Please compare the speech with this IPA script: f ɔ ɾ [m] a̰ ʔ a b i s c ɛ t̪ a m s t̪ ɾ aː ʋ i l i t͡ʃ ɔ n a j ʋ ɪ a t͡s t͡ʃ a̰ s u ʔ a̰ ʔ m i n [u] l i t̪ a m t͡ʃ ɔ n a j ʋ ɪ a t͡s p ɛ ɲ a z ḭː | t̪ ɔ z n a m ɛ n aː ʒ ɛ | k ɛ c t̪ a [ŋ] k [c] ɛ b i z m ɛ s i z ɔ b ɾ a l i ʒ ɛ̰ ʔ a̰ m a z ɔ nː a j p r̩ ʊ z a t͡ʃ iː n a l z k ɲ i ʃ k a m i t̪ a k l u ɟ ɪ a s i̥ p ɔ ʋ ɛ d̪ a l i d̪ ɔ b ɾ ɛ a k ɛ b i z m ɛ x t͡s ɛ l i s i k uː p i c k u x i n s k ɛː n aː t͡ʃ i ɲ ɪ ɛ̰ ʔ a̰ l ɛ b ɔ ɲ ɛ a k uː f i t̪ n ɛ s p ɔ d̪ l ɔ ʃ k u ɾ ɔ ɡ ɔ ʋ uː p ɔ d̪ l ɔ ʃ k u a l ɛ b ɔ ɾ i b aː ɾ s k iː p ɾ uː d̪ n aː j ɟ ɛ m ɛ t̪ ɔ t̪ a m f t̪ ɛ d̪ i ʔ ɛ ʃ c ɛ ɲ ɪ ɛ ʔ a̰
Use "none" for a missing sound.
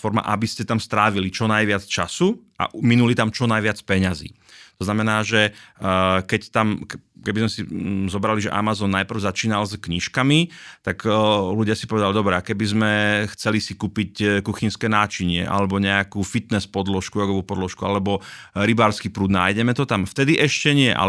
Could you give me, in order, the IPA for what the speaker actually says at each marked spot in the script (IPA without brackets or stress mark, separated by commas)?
m, u, m, k